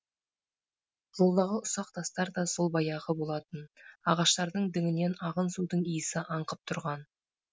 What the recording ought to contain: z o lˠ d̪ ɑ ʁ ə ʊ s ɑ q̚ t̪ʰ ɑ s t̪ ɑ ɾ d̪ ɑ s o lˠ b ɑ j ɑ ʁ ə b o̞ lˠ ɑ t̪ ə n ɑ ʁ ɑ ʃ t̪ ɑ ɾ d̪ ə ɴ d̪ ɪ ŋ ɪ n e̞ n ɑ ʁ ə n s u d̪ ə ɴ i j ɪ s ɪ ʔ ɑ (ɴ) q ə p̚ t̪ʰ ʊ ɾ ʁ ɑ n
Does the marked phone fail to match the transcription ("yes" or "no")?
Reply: no